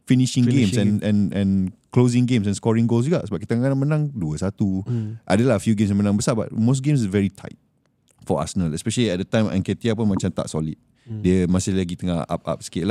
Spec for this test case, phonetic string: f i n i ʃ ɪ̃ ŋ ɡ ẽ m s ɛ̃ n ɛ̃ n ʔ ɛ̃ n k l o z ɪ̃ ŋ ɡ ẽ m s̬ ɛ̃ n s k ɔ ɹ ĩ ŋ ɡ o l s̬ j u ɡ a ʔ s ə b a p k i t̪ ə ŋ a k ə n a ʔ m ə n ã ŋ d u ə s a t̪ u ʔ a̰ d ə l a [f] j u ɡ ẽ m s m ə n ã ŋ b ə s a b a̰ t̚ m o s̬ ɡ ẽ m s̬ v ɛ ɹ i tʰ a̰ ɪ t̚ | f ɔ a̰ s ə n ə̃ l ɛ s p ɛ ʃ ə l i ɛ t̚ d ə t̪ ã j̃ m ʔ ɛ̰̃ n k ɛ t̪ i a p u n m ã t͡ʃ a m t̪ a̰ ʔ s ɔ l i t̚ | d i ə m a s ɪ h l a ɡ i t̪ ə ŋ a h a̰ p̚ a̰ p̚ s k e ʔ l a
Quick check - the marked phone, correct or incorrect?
correct